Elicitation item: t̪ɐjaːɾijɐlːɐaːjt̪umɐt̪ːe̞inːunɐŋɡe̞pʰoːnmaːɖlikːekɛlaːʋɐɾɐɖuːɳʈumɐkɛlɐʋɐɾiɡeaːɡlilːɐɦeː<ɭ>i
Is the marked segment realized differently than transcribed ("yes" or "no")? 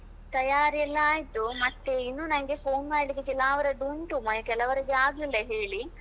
no